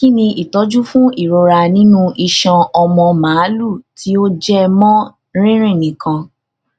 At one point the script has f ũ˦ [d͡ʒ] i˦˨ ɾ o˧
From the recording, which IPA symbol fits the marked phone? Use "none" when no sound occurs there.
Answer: none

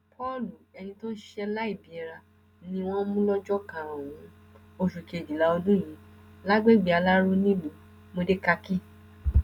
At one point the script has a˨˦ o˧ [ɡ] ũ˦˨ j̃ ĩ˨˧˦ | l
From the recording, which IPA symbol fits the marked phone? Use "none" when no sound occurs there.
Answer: d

